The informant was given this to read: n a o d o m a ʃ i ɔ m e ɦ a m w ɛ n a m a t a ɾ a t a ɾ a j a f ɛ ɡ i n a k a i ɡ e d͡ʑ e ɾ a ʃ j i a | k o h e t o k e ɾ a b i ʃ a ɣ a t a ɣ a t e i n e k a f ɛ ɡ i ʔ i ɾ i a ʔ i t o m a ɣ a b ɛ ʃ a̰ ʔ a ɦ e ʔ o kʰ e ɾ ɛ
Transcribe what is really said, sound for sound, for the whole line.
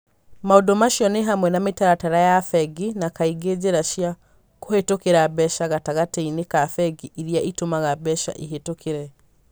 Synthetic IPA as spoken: m a o d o m a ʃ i ɔ n e ɦ a m w ɛ n a m e t a ɾ a t a ɾ a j a f ɛ ɡ i n a k a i ɡ e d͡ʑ e ɾ a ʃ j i a | k o h e t o k e ɾ a b ɛ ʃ a ɣ a t a ɣ a t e i n e k a f ɛ ɡ i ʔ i ɾ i a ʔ i t o m a ɣ a b ɛ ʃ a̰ ʔ i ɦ e t o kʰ e ɾ ɛ